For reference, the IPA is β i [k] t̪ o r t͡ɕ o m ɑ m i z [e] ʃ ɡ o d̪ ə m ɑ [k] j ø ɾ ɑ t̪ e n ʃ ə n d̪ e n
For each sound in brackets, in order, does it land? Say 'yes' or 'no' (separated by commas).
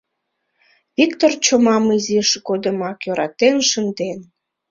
yes, no, yes